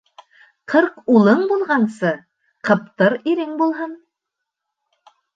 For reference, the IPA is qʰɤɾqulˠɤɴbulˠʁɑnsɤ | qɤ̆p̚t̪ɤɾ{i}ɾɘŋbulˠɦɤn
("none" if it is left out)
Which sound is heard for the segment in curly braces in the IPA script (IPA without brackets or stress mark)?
i